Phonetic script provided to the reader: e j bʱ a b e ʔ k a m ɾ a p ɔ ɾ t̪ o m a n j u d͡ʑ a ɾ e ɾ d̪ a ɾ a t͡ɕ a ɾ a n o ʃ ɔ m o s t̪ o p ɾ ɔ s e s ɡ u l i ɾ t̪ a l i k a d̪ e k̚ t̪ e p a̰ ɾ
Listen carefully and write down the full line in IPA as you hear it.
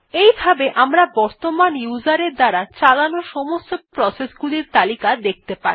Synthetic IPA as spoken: e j bʱ a b e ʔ ʔ a m ɾ a b ɔ ɾ t̪ o m a n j u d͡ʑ a ɾ e ɾ d̪ a ɾ a t͡ɕ a l a n o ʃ ɔ m o s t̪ o p ɾ ɔ s e s ɡ u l i ɾ t̪ a l i k a d̪ e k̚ t̪ e p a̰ ɾ